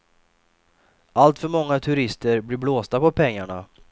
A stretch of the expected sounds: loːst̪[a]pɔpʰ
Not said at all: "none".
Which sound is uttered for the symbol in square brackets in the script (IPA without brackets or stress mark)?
a